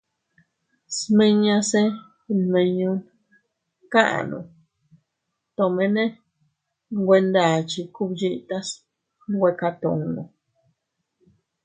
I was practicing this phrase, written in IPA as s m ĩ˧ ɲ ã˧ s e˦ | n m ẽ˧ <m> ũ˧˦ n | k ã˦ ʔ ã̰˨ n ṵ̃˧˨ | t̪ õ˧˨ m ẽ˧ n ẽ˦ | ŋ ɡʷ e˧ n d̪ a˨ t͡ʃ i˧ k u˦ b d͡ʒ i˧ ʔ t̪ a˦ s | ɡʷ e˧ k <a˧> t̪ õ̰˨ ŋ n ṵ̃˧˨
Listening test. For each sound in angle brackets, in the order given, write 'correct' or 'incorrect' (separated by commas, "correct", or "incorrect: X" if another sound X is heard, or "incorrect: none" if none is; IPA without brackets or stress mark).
incorrect: ɲ, correct